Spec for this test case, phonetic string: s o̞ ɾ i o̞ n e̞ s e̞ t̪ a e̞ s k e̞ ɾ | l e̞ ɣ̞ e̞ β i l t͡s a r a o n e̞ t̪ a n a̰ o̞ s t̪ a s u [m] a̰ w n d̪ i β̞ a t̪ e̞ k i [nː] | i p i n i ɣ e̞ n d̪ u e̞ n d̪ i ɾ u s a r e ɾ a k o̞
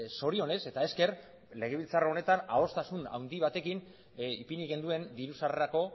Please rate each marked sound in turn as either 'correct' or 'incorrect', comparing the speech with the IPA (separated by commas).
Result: incorrect, incorrect